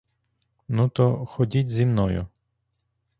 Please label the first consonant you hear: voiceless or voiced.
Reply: voiced